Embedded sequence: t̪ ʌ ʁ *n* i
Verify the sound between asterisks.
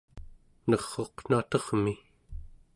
incorrect: m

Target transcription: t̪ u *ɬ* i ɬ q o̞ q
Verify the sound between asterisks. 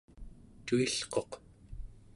incorrect: none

